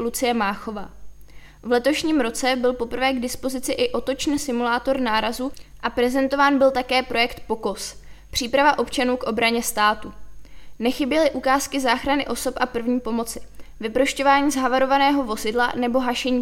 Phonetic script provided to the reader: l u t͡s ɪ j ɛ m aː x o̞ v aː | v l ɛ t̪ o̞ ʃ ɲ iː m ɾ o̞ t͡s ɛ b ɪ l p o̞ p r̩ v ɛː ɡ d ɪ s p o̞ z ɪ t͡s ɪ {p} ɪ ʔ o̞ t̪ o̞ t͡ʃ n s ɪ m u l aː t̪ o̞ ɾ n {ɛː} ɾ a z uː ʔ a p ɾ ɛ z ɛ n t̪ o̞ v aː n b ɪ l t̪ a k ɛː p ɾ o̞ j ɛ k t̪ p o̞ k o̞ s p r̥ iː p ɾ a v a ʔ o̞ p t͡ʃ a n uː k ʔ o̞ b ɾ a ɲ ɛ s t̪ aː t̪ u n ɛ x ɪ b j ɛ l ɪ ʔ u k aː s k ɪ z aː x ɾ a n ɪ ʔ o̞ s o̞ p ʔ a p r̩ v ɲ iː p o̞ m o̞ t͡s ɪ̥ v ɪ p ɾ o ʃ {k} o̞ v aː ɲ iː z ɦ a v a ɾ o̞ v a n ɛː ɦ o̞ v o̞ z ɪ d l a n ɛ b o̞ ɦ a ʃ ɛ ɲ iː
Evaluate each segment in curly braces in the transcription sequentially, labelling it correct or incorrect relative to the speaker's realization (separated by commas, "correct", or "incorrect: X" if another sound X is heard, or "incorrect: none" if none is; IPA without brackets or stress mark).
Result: incorrect: ʔ, incorrect: aː, incorrect: c